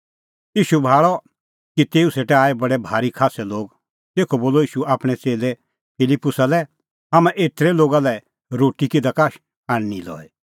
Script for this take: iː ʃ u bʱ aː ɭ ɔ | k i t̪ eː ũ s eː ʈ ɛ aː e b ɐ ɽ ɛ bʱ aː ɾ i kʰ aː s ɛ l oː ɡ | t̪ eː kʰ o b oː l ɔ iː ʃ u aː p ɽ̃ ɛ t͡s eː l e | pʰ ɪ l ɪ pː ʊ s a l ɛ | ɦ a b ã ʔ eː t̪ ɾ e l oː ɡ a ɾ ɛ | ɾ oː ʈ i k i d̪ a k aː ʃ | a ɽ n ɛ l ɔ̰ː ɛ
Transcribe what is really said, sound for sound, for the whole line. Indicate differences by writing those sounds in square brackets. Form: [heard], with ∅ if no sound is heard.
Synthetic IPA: iː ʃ u bʱ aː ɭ ɔ | k i t̪ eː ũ s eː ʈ ɛ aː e b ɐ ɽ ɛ bʱ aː ɾ i kʰ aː s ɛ l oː ɡ | t̪ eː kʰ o b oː l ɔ iː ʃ u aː p ɽ̃ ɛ t͡s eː l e | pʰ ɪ l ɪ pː ʊ s a l ɛ | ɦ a [m] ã ʔ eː t̪ ɾ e l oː ɡ a [l] ɛ | ɾ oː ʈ i k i d̪ a k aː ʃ | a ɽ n [i] l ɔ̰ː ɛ